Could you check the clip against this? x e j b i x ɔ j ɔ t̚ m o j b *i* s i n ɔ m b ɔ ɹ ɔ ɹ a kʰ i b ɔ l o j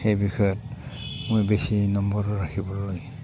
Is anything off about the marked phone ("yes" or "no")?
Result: yes